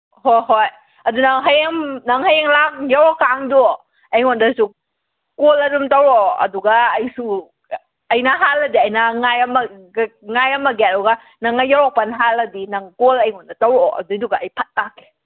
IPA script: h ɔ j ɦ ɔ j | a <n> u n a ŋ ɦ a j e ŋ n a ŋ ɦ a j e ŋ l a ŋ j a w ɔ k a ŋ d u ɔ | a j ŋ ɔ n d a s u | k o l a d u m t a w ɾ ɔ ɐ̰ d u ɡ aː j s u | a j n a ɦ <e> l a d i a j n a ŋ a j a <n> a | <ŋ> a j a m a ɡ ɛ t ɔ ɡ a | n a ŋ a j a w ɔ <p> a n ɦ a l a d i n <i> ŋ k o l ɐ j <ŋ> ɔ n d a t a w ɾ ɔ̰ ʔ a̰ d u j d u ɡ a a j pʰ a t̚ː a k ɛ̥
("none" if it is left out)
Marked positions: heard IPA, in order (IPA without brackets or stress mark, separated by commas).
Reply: d, a, m, ŋ, p, a, ŋ